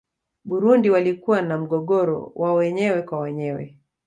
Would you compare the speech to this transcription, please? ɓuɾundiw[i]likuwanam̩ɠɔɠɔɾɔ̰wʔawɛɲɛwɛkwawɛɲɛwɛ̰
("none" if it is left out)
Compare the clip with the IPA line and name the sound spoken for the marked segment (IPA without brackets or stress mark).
a